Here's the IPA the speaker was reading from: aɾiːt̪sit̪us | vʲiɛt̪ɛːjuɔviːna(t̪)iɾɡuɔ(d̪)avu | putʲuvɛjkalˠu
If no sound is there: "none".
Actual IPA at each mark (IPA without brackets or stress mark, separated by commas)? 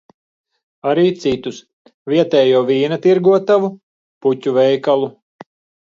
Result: t̪, t̪